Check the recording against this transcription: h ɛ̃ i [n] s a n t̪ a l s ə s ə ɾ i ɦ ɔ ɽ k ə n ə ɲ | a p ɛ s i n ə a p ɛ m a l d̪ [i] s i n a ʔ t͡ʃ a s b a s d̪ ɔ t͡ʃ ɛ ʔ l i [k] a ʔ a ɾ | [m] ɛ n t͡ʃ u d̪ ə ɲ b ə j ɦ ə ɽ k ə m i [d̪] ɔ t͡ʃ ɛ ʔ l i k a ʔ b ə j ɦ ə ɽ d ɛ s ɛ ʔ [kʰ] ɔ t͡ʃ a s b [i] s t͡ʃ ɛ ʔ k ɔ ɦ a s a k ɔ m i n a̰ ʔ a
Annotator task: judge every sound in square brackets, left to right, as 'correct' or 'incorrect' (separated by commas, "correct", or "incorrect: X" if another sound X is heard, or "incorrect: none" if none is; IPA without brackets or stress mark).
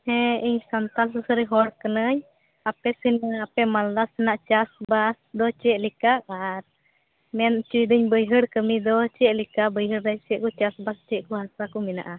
incorrect: ɲ, incorrect: a, correct, correct, correct, incorrect: k, incorrect: a